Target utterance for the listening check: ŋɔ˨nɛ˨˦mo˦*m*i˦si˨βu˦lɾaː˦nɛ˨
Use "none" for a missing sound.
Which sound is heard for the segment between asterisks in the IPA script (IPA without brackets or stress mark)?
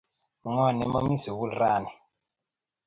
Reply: m